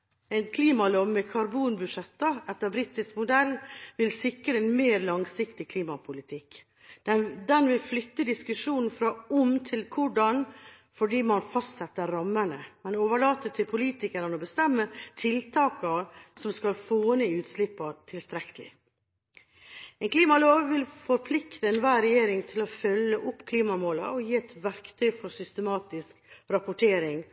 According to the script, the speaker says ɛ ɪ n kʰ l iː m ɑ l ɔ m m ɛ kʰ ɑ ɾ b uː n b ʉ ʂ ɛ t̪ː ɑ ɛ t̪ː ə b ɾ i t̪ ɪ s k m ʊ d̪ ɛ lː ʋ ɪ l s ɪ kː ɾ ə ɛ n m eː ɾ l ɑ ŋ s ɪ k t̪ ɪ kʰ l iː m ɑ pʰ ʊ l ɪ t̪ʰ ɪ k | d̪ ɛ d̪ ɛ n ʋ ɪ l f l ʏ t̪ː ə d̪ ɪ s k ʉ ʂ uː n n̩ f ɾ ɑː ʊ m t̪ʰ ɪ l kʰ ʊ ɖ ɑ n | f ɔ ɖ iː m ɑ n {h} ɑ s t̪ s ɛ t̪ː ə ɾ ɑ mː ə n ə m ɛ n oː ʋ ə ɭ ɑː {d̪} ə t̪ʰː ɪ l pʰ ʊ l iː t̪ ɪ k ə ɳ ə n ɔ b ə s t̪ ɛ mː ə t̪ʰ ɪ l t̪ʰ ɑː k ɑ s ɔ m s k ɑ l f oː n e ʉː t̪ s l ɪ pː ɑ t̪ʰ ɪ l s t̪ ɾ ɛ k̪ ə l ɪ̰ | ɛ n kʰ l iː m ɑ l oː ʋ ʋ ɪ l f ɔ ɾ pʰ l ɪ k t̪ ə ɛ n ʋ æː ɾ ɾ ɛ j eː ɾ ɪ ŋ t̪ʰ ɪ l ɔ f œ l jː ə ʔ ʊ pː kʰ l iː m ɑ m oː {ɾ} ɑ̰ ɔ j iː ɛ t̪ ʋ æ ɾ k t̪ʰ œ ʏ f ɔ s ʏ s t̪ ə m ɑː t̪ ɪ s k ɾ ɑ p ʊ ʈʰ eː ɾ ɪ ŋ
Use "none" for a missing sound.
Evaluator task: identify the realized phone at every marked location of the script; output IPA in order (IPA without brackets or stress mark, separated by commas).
f, t̪, l